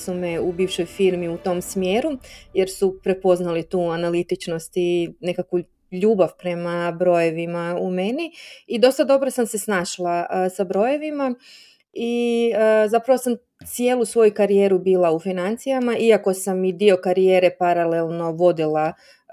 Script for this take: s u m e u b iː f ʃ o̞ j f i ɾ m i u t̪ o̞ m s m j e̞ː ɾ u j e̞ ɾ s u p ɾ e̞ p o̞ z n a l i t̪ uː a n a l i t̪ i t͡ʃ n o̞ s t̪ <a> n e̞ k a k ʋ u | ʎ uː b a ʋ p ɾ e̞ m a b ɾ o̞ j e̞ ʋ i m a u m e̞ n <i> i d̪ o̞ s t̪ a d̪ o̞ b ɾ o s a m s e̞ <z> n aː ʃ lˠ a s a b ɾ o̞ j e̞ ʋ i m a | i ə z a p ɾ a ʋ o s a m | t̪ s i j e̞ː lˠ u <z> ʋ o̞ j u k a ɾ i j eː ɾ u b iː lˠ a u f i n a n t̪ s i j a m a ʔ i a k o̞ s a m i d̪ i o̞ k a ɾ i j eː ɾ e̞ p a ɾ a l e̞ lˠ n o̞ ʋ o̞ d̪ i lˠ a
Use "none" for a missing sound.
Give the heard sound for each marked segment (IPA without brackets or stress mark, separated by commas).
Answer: i, i, s, s